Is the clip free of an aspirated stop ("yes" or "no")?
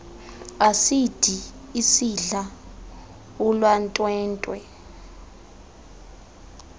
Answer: yes